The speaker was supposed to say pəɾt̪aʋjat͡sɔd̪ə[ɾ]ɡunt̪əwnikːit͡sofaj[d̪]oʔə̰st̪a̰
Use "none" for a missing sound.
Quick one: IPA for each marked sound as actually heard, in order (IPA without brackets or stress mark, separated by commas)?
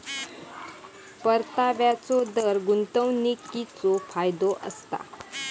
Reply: ɾ, d̪